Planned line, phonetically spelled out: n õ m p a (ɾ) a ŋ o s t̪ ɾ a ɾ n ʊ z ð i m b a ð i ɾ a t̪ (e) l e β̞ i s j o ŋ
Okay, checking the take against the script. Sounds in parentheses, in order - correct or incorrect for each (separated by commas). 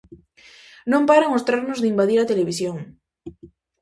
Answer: correct, correct